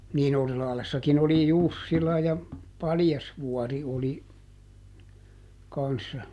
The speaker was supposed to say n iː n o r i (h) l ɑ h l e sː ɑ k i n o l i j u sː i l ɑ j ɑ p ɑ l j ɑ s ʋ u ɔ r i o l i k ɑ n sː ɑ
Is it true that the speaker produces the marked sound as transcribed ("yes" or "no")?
no